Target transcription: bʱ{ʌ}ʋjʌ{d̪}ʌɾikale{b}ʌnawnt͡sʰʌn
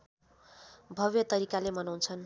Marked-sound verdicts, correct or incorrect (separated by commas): correct, incorrect, incorrect